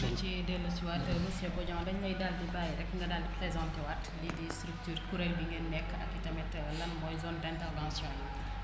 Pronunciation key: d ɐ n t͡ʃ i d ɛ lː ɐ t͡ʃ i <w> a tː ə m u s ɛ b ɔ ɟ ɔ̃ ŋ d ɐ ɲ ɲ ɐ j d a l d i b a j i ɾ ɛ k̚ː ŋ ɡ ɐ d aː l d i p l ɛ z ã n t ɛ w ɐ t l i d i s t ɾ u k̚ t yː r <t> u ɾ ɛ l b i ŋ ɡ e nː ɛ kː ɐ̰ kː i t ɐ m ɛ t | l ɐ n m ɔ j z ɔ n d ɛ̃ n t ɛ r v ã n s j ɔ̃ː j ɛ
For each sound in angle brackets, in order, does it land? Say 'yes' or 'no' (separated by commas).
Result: yes, no